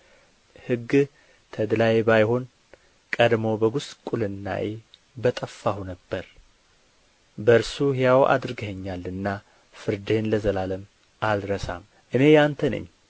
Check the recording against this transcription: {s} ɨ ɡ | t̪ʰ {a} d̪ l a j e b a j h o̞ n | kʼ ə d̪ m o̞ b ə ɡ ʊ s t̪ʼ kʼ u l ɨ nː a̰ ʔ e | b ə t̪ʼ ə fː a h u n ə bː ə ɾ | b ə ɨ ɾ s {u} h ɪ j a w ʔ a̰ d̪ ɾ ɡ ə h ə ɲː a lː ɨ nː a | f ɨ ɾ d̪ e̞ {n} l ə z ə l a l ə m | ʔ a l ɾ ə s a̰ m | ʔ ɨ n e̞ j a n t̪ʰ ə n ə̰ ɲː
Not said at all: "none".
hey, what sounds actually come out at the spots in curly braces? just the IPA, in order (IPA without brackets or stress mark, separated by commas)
h, ə, u, n